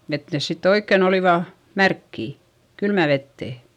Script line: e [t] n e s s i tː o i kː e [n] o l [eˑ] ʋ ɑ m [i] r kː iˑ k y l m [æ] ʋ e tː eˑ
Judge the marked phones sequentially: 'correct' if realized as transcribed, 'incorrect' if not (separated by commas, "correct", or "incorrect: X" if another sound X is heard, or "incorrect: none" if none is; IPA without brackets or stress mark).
correct, correct, incorrect: iˑ, incorrect: æ, correct